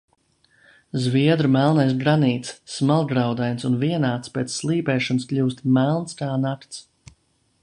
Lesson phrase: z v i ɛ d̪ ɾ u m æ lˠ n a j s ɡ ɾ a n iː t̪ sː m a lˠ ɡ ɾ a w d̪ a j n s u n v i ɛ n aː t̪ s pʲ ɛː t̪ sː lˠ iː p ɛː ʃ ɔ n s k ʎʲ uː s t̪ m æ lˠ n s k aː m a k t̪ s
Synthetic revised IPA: z v i ɛ d̪ ɾ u m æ lˠ n a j s ɡ ɾ a n iː t̪ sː m a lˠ ɡ ɾ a w d̪ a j n s u n v i ɛ n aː t̪ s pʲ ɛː t̪ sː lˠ iː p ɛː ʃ ɔ n s k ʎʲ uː s t̪ m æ lˠ n s k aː n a k t̪ s